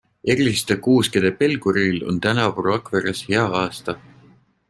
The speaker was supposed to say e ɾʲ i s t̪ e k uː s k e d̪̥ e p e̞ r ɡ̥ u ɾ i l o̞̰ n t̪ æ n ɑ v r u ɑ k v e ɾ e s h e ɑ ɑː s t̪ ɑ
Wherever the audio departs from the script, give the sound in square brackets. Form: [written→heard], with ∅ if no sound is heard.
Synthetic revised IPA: e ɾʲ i s t̪ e k uː s k e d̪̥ e p e̞ [r→l] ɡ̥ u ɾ i l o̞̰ n t̪ æ n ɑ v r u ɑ k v e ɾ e s h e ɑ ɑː s t̪ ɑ